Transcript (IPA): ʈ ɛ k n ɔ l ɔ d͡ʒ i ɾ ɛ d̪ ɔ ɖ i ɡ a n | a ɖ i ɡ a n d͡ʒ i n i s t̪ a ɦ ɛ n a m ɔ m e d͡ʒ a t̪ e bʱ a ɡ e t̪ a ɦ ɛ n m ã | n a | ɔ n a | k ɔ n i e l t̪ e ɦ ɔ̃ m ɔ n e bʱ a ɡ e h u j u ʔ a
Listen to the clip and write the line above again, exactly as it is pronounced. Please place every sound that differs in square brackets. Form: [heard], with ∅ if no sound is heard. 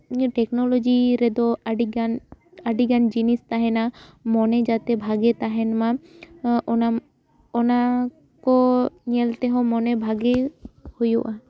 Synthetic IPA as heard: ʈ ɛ k n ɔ l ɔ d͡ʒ i ɾ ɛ d̪ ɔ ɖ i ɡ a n | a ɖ i ɡ a n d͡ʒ i n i s t̪ a ɦ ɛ n a m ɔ [n] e d͡ʒ a t̪ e bʱ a ɡ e t̪ a ɦ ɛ n m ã | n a | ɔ n a | k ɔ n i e l t̪ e ɦ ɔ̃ m ɔ n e bʱ a ɡ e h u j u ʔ a